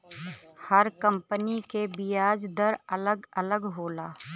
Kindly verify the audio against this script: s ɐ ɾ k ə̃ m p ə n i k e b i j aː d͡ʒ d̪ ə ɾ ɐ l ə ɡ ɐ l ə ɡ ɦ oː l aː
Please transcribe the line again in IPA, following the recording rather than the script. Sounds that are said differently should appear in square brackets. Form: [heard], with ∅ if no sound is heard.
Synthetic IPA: [h] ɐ ɾ k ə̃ m p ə n i k e b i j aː d͡ʒ d̪ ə ɾ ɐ l ə ɡ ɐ l ə ɡ ɦ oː l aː